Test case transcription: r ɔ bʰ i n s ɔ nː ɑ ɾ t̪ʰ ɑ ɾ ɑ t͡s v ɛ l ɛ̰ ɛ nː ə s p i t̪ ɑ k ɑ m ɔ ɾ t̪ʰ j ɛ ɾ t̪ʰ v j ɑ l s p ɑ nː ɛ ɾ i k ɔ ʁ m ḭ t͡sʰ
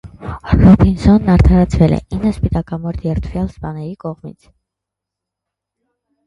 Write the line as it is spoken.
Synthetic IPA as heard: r ɔ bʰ i n s ɔ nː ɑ ɾ t̪ʰ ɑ ɾ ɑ t͡sʰ v ɛ l ɛ̰ i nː ə s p i t̪ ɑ k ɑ m ɔ ɾ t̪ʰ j ɛ ɾ t̪ʰ v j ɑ l s p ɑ n ɛ ɾ i k ɔ ʁ m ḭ t͡sʰ